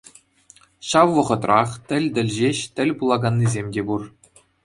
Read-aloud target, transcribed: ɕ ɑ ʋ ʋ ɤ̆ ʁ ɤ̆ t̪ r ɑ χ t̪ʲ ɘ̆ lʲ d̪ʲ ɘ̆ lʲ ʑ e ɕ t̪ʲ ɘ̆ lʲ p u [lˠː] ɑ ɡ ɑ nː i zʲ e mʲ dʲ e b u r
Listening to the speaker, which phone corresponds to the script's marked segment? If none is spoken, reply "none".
lˠ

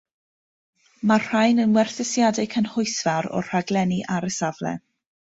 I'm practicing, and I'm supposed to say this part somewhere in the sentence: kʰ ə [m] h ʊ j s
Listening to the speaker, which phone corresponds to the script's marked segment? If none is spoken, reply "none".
n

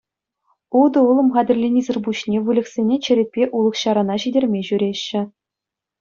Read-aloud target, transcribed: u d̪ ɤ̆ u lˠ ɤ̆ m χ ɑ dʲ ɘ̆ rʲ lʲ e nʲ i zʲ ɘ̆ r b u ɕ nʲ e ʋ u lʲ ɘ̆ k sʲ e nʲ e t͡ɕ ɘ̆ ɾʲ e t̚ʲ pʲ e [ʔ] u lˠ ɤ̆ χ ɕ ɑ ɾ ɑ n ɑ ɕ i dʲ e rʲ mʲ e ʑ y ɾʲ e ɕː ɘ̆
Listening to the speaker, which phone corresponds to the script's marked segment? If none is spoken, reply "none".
ʔ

